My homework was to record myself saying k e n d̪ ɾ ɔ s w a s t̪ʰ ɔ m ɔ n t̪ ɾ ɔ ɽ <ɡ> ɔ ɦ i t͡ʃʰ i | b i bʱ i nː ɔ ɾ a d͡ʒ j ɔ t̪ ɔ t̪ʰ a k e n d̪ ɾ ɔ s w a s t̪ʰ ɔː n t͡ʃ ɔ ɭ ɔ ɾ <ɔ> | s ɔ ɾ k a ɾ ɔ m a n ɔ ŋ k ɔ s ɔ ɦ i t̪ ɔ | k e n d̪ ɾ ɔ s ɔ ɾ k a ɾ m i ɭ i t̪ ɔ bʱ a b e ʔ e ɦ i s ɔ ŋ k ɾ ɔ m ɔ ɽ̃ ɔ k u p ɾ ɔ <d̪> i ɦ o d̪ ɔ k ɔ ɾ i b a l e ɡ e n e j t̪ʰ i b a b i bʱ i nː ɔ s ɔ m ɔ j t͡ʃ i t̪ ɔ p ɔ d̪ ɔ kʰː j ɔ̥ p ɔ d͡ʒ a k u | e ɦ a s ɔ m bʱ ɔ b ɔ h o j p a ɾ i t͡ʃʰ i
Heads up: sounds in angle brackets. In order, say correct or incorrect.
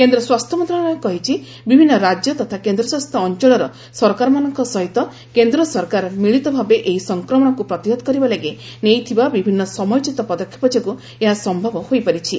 incorrect: k, correct, incorrect: t̪

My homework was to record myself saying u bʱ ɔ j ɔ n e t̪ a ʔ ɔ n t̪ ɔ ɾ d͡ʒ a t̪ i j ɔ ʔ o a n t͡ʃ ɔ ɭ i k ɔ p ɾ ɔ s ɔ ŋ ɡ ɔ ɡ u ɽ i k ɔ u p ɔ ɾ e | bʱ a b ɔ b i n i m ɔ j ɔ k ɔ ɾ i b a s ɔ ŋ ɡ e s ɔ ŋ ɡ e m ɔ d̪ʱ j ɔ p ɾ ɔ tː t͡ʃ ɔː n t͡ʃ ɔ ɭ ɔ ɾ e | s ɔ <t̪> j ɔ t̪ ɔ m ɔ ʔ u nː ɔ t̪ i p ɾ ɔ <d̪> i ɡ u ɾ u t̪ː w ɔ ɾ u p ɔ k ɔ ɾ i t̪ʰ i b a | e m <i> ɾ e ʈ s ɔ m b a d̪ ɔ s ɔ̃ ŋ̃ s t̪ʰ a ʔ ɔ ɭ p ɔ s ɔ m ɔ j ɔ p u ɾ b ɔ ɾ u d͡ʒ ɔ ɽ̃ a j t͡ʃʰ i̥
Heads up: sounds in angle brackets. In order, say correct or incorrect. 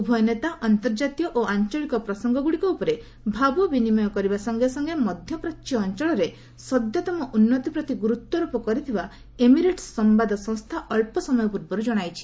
incorrect: d̪, incorrect: t̪, correct

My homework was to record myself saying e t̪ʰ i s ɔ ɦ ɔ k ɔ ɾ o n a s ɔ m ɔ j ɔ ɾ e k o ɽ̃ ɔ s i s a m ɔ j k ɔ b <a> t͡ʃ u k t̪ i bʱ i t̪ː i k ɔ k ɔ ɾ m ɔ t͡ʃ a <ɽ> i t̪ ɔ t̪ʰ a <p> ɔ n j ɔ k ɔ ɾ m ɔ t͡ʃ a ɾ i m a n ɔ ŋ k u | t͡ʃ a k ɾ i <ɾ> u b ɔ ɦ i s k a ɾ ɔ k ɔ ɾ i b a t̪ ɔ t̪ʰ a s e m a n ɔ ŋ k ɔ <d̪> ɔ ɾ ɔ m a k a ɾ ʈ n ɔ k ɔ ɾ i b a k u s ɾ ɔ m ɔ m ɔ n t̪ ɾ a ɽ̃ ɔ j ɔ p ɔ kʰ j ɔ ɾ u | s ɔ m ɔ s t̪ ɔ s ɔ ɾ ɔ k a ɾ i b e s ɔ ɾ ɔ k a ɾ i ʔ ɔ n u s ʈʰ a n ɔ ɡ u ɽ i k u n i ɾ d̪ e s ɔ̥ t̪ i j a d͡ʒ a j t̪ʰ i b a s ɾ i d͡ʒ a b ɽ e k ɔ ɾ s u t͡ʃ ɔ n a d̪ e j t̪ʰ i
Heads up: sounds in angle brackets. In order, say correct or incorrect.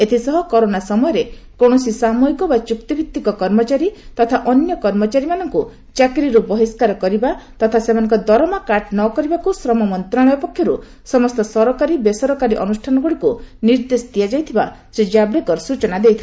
correct, incorrect: ɾ, incorrect: ʔ, correct, correct

